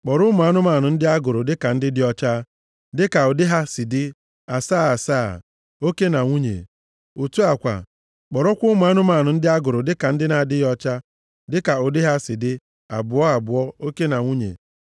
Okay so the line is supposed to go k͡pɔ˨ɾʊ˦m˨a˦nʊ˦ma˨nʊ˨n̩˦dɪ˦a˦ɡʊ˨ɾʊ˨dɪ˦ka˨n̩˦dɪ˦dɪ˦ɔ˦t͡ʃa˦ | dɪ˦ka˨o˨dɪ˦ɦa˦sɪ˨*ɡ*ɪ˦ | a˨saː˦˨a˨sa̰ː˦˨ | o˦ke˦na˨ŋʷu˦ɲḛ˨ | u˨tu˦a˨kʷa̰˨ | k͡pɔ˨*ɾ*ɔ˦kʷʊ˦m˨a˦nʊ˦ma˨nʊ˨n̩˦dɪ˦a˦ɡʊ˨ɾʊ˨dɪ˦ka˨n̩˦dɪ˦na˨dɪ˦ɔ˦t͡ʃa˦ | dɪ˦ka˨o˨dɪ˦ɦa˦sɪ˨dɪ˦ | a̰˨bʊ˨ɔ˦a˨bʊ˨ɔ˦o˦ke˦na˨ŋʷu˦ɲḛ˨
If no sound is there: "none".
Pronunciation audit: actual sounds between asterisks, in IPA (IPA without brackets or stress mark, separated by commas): d, ɾ